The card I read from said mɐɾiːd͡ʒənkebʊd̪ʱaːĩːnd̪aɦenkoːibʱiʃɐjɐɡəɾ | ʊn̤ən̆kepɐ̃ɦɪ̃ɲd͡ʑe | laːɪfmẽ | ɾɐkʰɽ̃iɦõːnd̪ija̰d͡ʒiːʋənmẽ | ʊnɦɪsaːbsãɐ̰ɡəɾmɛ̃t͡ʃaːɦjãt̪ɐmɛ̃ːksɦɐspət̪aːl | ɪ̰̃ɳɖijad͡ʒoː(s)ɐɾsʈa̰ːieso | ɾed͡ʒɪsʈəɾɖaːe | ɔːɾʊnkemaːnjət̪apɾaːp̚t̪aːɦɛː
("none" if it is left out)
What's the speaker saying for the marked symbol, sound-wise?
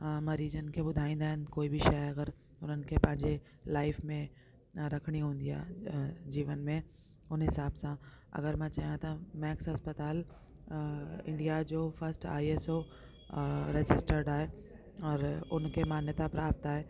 f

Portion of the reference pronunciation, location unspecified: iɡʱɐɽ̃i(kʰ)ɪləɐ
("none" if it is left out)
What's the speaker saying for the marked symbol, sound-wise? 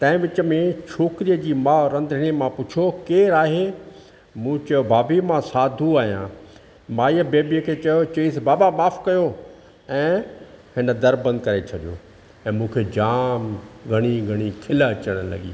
kʰ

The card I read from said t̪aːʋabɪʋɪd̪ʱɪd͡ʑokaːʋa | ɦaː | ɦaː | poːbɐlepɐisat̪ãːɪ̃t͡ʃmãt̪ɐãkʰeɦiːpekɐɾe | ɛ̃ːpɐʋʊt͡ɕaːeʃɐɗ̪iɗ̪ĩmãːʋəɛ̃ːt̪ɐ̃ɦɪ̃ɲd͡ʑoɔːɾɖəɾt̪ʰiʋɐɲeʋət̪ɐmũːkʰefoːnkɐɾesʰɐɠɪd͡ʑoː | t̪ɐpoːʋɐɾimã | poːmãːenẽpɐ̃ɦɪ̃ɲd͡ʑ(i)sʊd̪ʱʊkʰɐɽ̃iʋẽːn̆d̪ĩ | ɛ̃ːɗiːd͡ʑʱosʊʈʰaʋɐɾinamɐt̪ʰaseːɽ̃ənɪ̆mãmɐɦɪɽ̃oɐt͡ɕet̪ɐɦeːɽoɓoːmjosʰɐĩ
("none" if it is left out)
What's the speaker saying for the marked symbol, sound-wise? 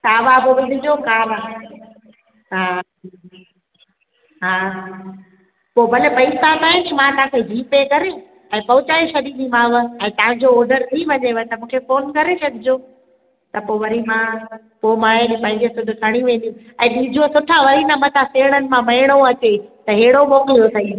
e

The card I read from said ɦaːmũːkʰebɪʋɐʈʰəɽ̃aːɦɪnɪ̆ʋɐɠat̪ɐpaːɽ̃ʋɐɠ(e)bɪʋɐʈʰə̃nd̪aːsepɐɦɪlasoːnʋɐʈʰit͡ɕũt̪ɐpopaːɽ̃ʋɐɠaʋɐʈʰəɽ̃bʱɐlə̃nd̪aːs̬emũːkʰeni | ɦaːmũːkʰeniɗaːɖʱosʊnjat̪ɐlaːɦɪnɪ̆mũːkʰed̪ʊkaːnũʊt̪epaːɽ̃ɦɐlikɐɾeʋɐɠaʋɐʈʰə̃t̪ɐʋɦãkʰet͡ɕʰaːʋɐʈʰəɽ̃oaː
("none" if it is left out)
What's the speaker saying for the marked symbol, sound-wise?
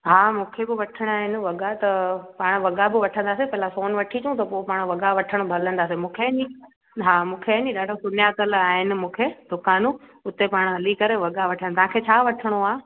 a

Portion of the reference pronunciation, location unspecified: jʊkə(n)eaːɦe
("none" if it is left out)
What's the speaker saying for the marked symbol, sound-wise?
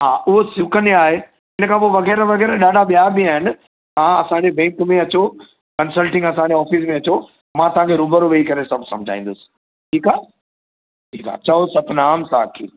n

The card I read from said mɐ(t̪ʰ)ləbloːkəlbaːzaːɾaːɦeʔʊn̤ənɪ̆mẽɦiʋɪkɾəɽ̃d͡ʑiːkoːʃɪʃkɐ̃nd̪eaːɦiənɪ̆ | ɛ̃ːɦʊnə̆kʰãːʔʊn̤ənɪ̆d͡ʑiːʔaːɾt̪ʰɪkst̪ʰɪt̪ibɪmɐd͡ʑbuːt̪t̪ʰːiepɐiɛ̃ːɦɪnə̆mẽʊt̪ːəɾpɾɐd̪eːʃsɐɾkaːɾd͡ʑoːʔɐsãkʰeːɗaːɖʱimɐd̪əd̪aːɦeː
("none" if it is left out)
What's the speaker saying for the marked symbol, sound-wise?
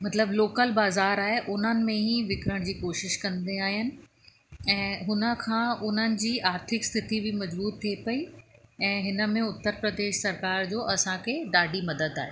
t̪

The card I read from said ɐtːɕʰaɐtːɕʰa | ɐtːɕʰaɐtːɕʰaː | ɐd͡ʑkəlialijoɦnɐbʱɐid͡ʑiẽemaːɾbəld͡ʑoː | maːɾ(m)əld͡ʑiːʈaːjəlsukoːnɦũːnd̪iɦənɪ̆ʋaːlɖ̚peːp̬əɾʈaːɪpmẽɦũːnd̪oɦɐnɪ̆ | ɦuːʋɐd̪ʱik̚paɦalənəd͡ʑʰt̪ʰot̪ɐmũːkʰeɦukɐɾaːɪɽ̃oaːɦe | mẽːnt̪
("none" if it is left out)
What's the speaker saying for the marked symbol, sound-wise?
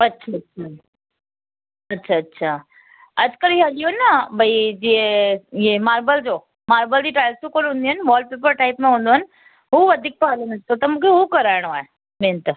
b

